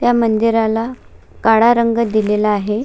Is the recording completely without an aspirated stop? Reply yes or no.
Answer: yes